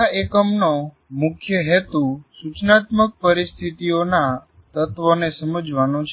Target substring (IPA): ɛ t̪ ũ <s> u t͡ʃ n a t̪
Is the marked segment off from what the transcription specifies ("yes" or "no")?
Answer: no